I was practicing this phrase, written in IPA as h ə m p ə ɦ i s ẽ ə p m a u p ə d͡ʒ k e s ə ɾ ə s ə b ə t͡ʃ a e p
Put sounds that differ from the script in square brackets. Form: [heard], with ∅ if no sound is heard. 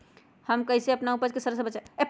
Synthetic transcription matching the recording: h ə m [k] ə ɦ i s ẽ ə p [n] a u p ə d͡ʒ k e s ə ɾ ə s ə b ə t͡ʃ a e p